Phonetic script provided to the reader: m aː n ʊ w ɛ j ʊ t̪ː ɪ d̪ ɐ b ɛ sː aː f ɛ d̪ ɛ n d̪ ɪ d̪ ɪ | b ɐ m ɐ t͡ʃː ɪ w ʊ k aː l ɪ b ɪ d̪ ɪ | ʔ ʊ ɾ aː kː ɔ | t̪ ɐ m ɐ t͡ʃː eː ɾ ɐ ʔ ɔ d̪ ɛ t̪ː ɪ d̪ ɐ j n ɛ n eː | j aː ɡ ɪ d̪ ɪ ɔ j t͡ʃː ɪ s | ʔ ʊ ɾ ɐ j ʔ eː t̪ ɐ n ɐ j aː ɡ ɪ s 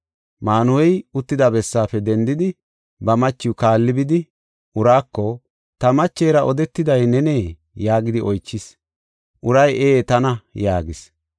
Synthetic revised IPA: m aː n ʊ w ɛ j ʊ t̪ː ɪ d̪ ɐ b ɛ sː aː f ɛ d̪ ɛ n d̪ ɪ d̪ ɪ | b ɐ m ɐ t͡ʃː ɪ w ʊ k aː lː ɪ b ɪ d̪ ɪ | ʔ ʊ ɾ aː kː ɔ | t̪ ɐ m ɐ t͡ʃː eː ɾ ɐ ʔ ɔ d̪ ɛ t̪ː ɪ d̪ ɐ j n ɛ n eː | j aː ɡ ɪ d̪ ɪ ɔ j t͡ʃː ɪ s | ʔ ʊ ɾ ɐ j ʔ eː t̪ ɐ n ɐ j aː ɡ ɪ s